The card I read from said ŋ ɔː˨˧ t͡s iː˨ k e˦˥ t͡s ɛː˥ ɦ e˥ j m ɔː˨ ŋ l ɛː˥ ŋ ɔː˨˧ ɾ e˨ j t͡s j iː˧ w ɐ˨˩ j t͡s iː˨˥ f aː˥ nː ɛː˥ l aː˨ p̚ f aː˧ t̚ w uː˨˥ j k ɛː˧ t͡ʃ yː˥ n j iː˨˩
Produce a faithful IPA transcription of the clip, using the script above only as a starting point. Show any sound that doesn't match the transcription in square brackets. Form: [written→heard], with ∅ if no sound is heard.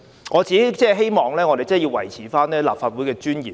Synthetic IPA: ŋ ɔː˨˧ t͡s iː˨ k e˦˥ t͡s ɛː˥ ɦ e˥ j m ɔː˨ ŋ l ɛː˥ ŋ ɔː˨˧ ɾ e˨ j t͡s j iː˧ w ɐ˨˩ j [t͡s→t͡sʰ] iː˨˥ f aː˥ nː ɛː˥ l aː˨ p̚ f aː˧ t̚ w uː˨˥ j k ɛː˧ t͡ʃ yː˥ n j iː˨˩